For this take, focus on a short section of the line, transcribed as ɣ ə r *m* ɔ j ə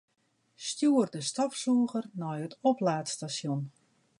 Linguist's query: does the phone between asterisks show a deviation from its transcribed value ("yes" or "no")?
yes